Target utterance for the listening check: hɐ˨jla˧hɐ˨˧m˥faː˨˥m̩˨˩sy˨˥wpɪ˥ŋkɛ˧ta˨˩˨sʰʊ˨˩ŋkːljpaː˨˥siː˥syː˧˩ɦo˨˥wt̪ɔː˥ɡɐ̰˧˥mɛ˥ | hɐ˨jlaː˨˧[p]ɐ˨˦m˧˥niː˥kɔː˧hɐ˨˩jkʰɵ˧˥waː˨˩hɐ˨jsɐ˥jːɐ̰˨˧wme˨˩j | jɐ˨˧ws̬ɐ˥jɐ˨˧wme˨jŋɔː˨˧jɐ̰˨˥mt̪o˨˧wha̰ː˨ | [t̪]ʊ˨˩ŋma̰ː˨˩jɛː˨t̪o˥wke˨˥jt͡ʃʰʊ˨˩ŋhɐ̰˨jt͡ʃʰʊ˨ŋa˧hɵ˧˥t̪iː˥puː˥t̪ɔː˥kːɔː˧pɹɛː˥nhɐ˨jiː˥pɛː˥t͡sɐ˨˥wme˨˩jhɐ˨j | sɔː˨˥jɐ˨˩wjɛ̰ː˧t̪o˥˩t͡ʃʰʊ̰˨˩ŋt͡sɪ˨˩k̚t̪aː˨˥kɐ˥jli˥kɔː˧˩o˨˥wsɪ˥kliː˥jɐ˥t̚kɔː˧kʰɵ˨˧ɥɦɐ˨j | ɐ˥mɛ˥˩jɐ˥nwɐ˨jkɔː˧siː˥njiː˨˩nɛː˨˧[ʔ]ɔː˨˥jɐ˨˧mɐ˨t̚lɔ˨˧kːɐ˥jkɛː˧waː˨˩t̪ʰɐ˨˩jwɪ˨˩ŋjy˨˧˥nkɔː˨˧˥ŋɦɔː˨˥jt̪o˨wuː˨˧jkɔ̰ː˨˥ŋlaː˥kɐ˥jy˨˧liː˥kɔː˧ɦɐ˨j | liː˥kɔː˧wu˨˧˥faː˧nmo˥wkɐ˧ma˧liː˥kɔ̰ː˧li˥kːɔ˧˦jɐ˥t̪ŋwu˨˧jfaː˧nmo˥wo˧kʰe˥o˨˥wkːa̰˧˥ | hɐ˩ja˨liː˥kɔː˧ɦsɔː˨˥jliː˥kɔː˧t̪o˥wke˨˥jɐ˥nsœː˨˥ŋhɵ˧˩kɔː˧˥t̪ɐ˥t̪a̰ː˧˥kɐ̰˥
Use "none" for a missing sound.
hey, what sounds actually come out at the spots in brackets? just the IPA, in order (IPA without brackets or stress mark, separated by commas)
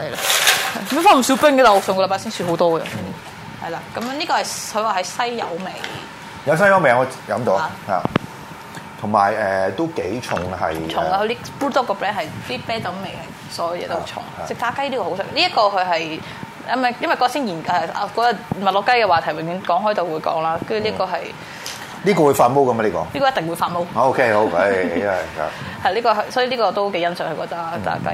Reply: k, t̪ʰ, k